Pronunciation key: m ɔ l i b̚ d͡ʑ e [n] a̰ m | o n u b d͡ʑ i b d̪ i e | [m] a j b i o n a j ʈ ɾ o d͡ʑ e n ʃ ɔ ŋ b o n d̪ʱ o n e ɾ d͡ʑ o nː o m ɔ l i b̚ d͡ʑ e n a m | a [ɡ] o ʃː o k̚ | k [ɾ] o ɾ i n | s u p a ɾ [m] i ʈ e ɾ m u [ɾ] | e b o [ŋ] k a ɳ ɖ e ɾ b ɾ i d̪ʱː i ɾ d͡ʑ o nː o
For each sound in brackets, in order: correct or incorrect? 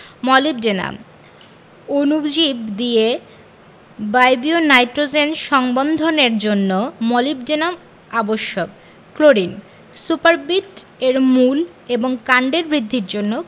correct, incorrect, incorrect, incorrect, incorrect, incorrect, correct

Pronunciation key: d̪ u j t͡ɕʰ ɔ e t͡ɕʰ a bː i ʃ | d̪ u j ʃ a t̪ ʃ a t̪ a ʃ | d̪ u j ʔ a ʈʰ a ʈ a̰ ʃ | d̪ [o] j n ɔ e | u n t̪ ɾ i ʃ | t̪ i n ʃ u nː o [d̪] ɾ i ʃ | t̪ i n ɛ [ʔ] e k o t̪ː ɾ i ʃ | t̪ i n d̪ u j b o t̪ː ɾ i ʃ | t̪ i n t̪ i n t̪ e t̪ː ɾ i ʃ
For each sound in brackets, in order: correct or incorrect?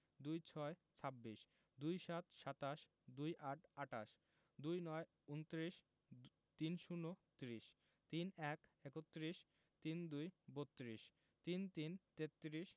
incorrect, incorrect, incorrect

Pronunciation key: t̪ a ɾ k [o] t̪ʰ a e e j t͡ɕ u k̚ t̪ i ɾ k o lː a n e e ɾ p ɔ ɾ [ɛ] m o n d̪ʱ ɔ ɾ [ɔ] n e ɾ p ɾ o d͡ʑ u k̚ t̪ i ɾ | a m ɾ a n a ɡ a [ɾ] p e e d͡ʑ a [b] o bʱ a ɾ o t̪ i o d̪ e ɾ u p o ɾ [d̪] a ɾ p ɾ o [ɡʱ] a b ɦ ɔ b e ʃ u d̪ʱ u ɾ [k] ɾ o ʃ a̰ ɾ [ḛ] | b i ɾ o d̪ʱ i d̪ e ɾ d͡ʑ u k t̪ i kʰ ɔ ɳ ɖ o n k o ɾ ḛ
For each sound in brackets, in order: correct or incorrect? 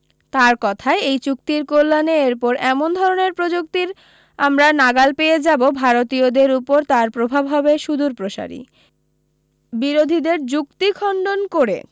incorrect, correct, incorrect, incorrect, correct, incorrect, incorrect, incorrect, incorrect

